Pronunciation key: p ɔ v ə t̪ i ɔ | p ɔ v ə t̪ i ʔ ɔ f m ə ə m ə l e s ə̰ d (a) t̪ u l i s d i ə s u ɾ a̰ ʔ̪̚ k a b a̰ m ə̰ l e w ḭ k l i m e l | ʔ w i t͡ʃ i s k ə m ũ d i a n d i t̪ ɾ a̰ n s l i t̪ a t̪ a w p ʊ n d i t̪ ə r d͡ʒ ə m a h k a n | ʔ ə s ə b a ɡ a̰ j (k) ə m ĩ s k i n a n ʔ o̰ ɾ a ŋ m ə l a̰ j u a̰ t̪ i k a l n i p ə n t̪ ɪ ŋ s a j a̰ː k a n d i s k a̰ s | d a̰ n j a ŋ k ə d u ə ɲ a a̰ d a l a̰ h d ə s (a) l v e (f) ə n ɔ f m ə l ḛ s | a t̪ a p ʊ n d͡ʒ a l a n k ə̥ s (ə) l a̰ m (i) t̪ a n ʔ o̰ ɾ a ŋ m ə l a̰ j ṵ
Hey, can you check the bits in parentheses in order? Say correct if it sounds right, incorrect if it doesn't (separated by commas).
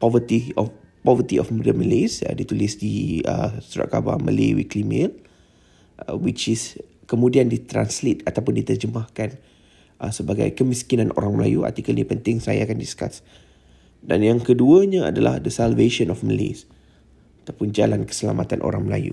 incorrect, correct, correct, incorrect, correct, incorrect